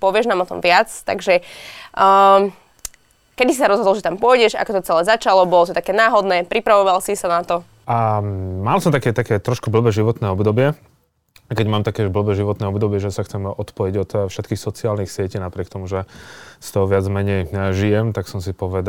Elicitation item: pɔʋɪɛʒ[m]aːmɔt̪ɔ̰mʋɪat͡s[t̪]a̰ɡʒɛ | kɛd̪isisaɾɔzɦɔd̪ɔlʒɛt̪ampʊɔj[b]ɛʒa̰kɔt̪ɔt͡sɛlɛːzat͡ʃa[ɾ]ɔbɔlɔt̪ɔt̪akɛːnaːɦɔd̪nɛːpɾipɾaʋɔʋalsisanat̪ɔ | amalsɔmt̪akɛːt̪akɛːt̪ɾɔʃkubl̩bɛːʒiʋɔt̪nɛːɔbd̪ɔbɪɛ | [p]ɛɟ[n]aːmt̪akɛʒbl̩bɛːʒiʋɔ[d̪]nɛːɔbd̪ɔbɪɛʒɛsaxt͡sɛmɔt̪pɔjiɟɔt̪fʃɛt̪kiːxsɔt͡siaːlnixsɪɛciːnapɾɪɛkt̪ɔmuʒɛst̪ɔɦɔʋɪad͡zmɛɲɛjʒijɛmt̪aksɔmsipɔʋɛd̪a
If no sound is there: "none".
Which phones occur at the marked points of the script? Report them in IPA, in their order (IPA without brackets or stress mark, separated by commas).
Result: n, t̪, ɟ, l, k, m, t̪